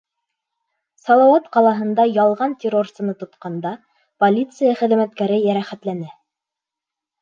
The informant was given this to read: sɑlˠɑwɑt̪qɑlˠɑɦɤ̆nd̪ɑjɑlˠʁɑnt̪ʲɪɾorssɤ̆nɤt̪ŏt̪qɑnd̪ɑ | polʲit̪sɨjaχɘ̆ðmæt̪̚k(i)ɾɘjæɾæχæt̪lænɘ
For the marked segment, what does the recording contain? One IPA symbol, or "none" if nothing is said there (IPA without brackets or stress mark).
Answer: æ